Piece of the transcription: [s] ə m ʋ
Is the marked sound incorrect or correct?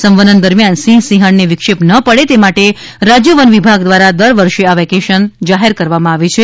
correct